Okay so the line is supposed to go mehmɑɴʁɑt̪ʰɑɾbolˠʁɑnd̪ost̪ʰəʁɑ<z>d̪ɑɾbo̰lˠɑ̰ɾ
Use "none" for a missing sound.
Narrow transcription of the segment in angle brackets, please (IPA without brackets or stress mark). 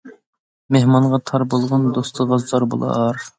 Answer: z